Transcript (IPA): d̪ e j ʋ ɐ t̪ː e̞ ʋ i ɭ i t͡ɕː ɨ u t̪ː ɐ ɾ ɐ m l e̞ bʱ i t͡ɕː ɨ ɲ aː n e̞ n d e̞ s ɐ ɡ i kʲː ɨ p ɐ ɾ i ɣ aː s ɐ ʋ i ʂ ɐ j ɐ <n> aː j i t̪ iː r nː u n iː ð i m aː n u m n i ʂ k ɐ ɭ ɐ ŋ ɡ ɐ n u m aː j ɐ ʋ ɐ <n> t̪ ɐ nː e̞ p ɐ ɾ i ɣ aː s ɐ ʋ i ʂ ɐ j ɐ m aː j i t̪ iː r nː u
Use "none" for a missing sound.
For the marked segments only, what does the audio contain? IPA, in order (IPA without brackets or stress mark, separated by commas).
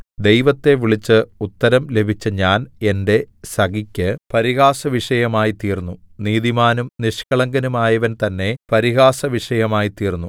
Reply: m, n